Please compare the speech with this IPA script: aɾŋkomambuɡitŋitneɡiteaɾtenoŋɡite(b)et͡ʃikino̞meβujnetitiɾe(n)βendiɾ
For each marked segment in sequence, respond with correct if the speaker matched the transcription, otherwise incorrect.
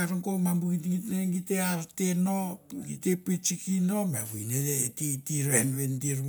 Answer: incorrect: p, correct

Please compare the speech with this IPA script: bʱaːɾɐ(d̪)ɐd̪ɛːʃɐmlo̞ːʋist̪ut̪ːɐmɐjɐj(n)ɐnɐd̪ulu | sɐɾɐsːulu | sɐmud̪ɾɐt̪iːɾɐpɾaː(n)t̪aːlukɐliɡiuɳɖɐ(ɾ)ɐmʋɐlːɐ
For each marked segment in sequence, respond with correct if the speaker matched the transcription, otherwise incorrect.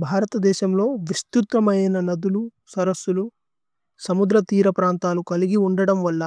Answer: incorrect: t̪, correct, correct, incorrect: ɽ

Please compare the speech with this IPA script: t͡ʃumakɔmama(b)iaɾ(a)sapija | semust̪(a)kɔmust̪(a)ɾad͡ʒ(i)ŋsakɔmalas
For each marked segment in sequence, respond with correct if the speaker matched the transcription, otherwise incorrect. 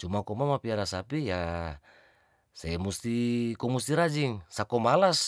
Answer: incorrect: p, correct, incorrect: i, incorrect: i, correct

